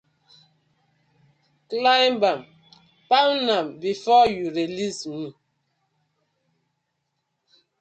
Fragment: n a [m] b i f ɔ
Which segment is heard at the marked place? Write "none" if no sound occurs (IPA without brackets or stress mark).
m